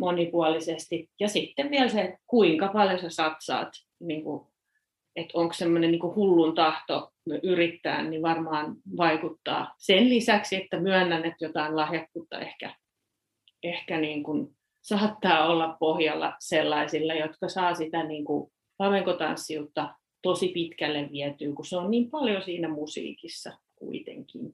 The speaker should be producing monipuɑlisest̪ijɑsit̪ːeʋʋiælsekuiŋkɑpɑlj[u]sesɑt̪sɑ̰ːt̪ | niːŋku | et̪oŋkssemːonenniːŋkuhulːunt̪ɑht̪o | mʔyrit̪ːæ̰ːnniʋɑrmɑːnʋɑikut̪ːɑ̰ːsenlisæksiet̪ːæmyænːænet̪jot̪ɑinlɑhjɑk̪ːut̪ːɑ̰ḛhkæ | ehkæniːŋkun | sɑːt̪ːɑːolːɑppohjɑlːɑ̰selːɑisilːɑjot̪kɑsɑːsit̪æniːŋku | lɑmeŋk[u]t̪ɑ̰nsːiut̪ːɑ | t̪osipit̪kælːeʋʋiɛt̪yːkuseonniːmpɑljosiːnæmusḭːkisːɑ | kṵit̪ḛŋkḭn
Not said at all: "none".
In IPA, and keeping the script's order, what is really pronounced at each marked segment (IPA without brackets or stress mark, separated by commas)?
o, o